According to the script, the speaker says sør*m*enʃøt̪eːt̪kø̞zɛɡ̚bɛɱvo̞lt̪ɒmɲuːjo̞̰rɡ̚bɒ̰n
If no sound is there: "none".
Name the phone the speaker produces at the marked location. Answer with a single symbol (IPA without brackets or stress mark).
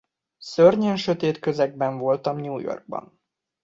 ɲ